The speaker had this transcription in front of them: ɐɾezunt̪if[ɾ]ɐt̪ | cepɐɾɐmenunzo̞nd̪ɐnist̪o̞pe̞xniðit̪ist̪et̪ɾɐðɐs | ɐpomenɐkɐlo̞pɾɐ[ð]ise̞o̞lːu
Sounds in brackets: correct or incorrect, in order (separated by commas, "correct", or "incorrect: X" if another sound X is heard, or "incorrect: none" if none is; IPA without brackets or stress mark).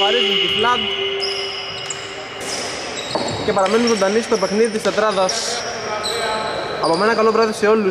incorrect: l, correct